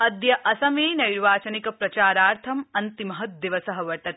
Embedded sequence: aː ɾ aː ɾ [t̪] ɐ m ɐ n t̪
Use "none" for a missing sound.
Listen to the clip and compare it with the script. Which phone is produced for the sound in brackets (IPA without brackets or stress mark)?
t̪ʰ